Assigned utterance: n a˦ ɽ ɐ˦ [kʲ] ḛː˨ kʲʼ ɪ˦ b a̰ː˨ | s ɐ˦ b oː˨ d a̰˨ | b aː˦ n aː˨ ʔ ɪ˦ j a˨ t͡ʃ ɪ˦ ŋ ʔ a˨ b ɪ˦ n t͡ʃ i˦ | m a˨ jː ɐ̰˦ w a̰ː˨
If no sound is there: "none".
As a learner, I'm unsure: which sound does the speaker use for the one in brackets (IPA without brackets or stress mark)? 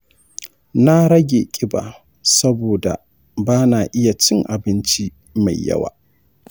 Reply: ɡʲ